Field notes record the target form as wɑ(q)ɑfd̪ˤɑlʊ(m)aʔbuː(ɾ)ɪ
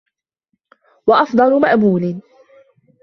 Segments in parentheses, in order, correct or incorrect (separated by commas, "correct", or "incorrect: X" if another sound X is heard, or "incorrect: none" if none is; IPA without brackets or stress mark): incorrect: ʔ, correct, incorrect: l